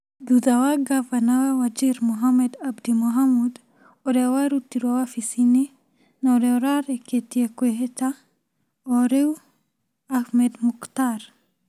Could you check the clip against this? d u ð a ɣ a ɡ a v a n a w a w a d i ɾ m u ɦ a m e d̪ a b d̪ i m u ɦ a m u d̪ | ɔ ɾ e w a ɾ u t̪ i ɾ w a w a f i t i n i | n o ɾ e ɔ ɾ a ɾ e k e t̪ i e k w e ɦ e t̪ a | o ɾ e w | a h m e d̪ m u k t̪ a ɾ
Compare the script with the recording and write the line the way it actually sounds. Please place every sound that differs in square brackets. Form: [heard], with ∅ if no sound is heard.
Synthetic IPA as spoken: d u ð a [w] a ɡ a v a n a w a w a [d͡ʒ] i ɾ m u ɦ a m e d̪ a b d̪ i m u ɦ a m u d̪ | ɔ ɾ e w a ɾ u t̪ i ɾ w a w a f i [s] i n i | n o ɾ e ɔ ɾ a ɾ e k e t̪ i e k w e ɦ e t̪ a | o ɾ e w | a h m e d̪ m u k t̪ a ɾ